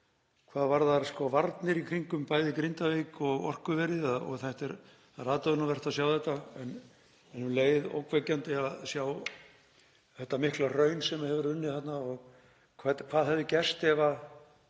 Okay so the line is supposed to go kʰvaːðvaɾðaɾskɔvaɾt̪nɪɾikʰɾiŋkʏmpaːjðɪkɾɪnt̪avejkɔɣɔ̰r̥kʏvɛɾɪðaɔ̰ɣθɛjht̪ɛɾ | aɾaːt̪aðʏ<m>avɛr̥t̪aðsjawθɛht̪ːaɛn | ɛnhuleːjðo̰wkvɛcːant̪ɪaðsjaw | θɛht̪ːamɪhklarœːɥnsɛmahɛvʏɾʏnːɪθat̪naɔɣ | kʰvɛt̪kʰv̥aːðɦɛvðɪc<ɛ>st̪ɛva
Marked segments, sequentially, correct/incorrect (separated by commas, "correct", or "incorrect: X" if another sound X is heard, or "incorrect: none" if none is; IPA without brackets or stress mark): incorrect: n, correct